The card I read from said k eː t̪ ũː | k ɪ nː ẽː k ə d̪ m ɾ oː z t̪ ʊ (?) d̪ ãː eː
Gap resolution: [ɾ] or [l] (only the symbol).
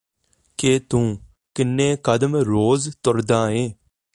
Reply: ɾ